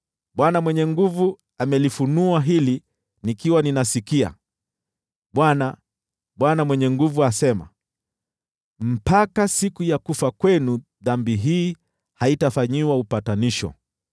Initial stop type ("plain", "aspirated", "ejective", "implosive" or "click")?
implosive